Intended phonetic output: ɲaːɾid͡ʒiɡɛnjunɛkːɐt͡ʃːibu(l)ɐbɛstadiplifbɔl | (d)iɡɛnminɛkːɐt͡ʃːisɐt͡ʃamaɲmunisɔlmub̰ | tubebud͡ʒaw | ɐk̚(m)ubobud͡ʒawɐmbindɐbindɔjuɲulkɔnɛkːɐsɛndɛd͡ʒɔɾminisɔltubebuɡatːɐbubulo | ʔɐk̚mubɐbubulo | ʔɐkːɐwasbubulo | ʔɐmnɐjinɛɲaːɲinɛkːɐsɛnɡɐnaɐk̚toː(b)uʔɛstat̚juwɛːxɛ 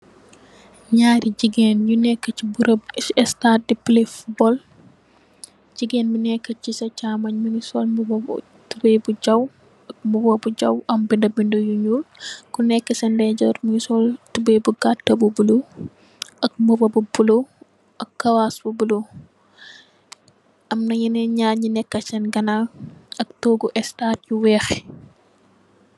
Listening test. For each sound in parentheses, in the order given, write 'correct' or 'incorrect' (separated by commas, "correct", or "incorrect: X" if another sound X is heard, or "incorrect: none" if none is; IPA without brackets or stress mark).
incorrect: ɾ, incorrect: d͡ʒ, correct, incorrect: ɡ